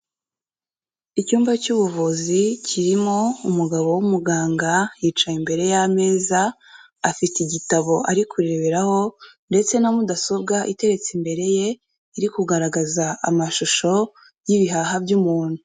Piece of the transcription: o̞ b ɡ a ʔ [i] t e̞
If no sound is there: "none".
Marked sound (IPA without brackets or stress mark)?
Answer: i